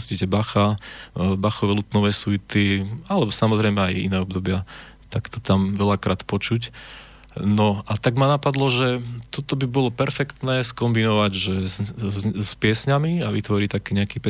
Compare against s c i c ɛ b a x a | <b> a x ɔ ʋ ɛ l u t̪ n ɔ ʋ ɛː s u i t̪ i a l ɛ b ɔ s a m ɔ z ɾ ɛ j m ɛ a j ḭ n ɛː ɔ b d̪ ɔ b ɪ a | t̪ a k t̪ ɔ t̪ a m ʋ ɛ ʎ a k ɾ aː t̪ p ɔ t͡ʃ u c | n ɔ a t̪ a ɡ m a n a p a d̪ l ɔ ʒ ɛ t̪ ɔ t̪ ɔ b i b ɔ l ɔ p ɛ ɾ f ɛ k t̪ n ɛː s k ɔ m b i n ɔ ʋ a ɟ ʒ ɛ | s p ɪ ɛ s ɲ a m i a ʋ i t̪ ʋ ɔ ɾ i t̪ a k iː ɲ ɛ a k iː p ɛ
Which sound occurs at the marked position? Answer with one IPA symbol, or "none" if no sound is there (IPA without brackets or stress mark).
b